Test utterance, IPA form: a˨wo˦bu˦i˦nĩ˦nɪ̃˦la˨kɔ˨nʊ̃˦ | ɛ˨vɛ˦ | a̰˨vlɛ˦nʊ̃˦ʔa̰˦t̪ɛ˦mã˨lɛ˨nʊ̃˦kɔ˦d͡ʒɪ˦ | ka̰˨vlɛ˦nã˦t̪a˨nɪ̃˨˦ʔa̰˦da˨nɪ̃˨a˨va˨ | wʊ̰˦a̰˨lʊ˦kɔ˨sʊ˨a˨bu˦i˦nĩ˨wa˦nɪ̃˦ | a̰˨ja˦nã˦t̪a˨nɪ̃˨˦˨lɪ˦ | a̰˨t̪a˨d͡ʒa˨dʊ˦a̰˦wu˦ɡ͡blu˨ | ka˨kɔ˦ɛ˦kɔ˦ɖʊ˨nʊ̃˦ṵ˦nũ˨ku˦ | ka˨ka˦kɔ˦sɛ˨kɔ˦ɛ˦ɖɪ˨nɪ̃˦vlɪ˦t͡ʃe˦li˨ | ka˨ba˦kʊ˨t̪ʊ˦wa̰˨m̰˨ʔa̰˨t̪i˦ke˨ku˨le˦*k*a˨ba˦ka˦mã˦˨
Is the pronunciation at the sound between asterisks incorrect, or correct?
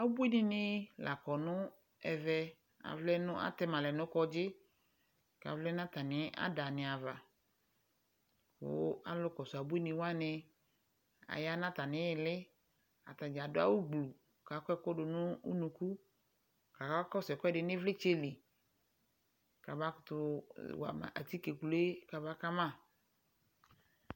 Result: correct